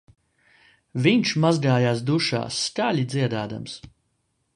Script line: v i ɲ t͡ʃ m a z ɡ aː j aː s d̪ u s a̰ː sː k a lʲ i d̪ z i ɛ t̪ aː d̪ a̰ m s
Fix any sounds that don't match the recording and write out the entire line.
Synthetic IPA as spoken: v i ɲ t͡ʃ m a z ɡ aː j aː s d̪ u ʃ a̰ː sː k a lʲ i d̪ z i ɛ d̪ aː d̪ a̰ m s

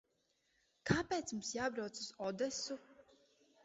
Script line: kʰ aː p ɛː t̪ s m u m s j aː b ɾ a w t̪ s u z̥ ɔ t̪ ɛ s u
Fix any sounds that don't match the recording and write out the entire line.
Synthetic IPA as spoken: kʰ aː p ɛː t̪ s m u m s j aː b ɾ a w t̪ s u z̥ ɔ d̪ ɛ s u

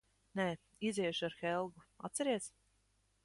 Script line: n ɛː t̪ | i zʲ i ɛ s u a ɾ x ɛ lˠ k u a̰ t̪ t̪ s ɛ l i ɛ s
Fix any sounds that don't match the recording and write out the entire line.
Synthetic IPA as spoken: n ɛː | i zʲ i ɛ ʃ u a ɾ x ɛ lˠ ɡ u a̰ t̪ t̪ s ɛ ɾ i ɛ s

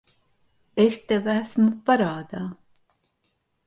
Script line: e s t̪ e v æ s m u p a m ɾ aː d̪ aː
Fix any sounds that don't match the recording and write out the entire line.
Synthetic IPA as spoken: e s t̪ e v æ s m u p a ɾ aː d̪ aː

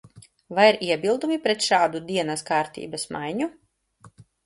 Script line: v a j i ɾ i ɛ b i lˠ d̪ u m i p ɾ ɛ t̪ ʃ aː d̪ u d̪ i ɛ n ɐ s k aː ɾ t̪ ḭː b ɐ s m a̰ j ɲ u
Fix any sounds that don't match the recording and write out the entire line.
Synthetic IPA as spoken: v a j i ɾ i ɛ b i lˠ d̪ u m i p ɾ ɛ t̪ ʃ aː d̪ u d̪ i ɛ n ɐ s k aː ɾ t̪ ḭː b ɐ s m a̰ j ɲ u

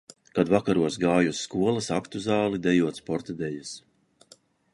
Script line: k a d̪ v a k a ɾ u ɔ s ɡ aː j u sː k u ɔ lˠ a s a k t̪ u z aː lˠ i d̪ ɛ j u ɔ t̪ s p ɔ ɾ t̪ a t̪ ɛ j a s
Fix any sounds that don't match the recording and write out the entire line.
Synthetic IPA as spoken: k a d̪ v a k a ɾ u ɔ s ɡ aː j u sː k u ɔ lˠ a s a k t̪ u z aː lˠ i d̪ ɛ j u ɔ t̪ s p ɔ ɾ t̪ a d̪ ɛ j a s

